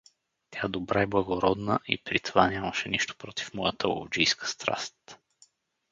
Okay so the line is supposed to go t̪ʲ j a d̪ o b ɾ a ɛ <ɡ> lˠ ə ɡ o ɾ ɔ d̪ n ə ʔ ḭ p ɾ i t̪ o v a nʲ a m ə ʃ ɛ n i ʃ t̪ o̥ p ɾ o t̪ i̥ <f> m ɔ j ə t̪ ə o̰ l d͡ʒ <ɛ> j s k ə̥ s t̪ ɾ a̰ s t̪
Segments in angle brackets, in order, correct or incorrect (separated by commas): incorrect, correct, incorrect